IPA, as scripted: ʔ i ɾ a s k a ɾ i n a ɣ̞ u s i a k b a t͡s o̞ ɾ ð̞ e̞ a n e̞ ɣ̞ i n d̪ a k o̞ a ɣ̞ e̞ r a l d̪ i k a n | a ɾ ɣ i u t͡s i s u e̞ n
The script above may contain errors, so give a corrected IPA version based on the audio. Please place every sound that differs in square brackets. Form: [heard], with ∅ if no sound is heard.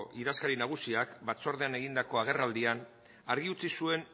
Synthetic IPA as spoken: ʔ i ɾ a s k a ɾ i n a ɣ̞ u s i a k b a t͡s o̞ ɾ ð̞ e̞ a n e̞ ɣ̞ i n d̪ a k o̞ a ɣ̞ e̞ r a l d̪ i [∅] a n | a ɾ ɣ i u t͡s i s u e̞ n

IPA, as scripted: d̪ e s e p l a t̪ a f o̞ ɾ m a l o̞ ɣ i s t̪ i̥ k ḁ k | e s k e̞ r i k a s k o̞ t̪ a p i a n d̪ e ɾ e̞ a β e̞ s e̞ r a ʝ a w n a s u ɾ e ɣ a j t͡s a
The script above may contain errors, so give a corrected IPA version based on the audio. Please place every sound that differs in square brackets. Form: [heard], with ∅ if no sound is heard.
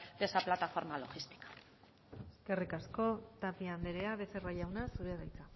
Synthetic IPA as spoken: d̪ e s [a] p l a t̪ a f o̞ ɾ m a l o̞ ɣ i s t̪ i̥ k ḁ [∅] | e s k e̞ r i k a s k o̞ t̪ a p i a n d̪ e ɾ e̞ a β e̞ s e̞ r a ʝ a w n a s u ɾ e [ð] a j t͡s a

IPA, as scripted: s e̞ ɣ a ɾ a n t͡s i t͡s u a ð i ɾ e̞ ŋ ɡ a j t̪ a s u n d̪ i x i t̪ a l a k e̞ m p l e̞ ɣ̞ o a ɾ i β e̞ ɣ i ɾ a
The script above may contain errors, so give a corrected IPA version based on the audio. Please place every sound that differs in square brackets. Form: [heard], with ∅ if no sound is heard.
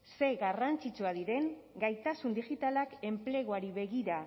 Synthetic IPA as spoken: s e̞ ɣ a [r] a n t͡s i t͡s u a ð i ɾ e̞ ŋ ɡ a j t̪ a s u n d̪ i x i t̪ a l a k e̞ m p l e̞ ɣ̞ o a ɾ i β e̞ ɣ i ɾ a

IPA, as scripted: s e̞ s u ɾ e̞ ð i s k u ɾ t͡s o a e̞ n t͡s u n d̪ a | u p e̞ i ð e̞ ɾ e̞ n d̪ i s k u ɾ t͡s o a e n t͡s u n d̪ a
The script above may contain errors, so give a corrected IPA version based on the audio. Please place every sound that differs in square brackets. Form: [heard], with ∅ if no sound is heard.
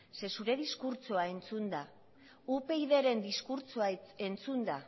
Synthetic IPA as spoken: s e̞ s u ɾ e̞ ð i s k u ɾ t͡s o a e̞ n t͡s u n d̪ a | u p e̞ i ð e̞ ɾ e̞ n d̪ i s k u ɾ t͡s o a e n t͡s u n d̪ a

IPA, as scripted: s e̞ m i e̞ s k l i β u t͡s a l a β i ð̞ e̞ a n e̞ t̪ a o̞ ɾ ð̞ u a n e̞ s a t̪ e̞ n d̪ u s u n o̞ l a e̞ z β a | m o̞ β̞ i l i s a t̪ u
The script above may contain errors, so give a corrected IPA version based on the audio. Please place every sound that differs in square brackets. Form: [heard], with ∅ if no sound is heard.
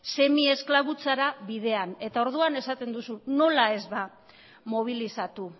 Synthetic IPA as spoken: s e̞ m i e̞ s k l [a] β u t͡s a [ɾ] a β i ð̞ e̞ a n e̞ t̪ a o̞ ɾ ð̞ u a n e̞ s a t̪ e̞ n d̪ u s u n o̞ l a e̞ z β a | m o̞ β̞ i l i s a t̪ u

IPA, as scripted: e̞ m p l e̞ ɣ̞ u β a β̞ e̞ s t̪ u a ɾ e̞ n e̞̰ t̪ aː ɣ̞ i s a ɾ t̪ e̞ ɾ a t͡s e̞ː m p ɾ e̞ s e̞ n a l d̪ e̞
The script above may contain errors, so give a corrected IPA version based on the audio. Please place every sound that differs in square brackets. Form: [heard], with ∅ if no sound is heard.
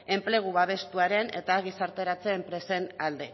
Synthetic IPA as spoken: e̞ m p l e̞ ɣ̞ u β a β̞ e̞ s t̪ u a ɾ e̞ n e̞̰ t̪ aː ɣ̞ i s a ɾ t̪ e̞ ɾ a t͡s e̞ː m p ɾ e̞ s e̞ n a l d̪ e̞

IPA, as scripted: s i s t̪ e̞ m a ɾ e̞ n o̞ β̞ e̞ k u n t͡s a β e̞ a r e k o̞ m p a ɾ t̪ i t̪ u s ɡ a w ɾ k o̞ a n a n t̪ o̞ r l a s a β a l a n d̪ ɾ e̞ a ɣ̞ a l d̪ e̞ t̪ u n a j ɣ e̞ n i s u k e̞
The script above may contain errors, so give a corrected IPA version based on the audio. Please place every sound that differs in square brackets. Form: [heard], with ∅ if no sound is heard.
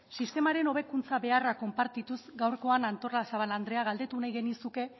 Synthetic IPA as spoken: s i s t̪ e̞ m a ɾ e̞ n o̞ β̞ e̞ k u n t͡s a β e̞ a r [a] k o̞ m p a ɾ t̪ i t̪ u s ɡ a w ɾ k o̞ a n a n t̪ o̞ r l a s a β a l a n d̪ ɾ e̞ a ɣ̞ a l d̪ e̞ t̪ u n a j ɣ e̞ n i s u k e̞

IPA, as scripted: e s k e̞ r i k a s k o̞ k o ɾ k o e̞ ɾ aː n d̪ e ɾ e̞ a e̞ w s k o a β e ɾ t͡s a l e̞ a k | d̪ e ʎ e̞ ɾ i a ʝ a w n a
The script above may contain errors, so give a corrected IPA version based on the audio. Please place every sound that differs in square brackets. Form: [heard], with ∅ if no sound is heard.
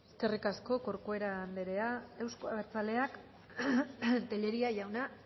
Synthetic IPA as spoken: e s k e̞ r i k a s k o̞ k o ɾ k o e̞ ɾ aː n d̪ e ɾ e̞ a e̞ w s k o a β e ɾ t͡s a l e̞ a k | [t̪] e ʎ e̞ ɾ i a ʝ a w n a

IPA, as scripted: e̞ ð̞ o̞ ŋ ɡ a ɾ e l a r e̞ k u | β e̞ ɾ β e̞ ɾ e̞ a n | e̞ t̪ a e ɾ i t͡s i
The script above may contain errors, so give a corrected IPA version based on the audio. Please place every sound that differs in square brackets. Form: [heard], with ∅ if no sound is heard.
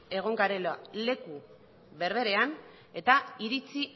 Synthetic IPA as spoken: e̞ [ɣ̞] o̞ ŋ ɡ a ɾ e l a [l] e̞ k u | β e̞ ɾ β e̞ ɾ e̞ a n | e̞ t̪ a [i] ɾ i t͡s i

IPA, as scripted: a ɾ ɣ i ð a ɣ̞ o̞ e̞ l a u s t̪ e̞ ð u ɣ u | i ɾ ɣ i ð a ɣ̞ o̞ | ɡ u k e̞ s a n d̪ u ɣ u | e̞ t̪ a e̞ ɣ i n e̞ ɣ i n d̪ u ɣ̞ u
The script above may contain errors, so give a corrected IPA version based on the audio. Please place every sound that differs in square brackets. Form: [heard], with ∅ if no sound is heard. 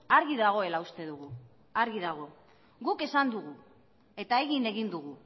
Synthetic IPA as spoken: a ɾ ɣ i ð a ɣ̞ o̞ e̞ l a u s t̪ e̞ ð u ɣ u | [a] ɾ ɣ i ð a ɣ̞ o̞ | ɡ u k e̞ s a n d̪ u ɣ u | e̞ t̪ a e̞ ɣ i n e̞ ɣ i n d̪ u ɣ̞ u

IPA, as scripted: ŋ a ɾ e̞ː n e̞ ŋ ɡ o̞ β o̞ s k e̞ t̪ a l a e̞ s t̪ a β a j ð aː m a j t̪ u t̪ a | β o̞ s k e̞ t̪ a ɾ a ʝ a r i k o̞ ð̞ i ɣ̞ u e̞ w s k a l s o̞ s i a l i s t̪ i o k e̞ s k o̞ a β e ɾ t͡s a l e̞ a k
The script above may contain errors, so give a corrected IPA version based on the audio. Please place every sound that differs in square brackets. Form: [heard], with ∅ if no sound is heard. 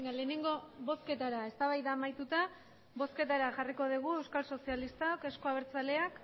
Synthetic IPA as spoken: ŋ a [l] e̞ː n e̞ ŋ ɡ o̞ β o̞ s k e̞ t̪ a [ɾ] a e̞ s t̪ a β a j ð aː m a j t̪ u t̪ a | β o̞ s k e̞ t̪ a ɾ a ʝ a r i k o̞ ð̞ i ɣ̞ u e̞ w s k a l s o̞ s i a l i s t̪ [a] o k e̞ s k o̞ a β e ɾ t͡s a l e̞ a k

